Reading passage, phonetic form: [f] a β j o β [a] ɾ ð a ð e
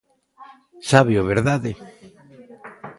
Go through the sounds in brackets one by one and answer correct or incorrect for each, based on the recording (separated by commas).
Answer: incorrect, incorrect